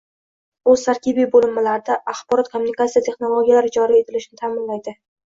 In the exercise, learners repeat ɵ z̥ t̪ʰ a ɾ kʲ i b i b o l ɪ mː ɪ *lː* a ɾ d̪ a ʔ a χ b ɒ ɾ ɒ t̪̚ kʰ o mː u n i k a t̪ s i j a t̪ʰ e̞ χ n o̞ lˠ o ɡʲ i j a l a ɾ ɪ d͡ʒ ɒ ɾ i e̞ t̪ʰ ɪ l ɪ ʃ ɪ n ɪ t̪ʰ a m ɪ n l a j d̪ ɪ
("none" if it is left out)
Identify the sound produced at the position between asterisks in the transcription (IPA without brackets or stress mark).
l